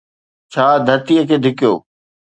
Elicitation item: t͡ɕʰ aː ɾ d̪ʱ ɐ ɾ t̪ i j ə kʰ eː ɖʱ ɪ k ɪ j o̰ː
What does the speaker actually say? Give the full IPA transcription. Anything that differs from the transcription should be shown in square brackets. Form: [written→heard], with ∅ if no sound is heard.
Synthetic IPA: t͡ɕʰ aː [ɾ→∅] d̪ʱ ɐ ɾ t̪ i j ə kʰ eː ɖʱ ɪ k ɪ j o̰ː